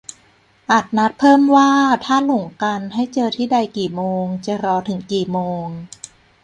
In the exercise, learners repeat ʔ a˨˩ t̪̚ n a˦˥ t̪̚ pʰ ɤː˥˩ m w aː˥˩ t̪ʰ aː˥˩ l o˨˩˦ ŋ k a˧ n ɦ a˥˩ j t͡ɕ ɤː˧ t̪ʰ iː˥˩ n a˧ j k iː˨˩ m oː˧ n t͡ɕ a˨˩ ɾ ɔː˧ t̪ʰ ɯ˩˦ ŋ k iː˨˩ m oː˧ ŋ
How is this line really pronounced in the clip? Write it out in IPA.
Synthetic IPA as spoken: ʔ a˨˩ t̪̚ n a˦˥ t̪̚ pʰ ɤː˥˩ m w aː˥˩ t̪ʰ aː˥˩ l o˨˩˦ ŋ k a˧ n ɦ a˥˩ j t͡ɕ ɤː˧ t̪ʰ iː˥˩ d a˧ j k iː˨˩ m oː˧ ŋ t͡ɕ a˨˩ ɾ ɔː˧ t̪ʰ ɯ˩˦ ŋ k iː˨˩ m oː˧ ŋ